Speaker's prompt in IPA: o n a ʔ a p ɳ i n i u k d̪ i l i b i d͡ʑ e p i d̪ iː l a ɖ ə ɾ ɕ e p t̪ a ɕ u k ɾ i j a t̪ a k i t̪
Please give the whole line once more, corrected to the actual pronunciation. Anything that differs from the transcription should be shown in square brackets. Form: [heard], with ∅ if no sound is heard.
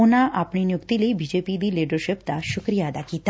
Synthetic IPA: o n a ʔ a p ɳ i n [j] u k [t̪] i l i b i d͡ʑ e p i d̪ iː l [i] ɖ ə ɾ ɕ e p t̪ a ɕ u k ɾ i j a [d̪] a k i t̪